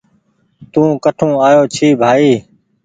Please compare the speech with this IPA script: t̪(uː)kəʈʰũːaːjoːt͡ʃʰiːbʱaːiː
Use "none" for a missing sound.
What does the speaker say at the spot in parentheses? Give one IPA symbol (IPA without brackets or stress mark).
ũː